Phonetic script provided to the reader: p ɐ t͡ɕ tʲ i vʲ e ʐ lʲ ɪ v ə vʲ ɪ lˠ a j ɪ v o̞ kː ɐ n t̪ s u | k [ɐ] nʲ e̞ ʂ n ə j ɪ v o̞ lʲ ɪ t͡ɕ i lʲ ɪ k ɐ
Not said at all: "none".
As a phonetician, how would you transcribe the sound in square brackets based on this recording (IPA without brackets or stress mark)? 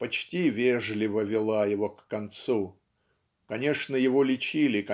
ɐ